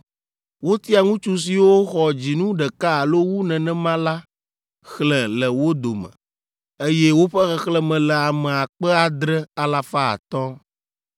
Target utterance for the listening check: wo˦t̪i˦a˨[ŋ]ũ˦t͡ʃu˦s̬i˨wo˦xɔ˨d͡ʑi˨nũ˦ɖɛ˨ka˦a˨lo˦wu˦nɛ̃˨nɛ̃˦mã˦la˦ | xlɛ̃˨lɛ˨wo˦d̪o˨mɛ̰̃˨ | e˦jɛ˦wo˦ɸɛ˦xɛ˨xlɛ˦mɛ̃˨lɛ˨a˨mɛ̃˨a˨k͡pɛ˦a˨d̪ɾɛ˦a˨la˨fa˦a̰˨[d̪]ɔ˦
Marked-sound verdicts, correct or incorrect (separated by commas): correct, incorrect